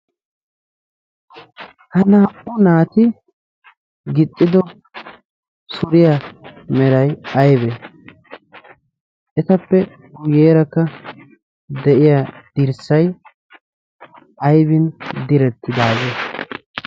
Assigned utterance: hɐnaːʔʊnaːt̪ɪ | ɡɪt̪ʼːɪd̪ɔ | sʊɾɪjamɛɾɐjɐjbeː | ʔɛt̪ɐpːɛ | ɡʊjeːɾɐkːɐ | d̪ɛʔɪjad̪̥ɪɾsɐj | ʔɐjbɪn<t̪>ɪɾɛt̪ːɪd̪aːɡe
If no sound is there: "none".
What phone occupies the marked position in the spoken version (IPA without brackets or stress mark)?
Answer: d̪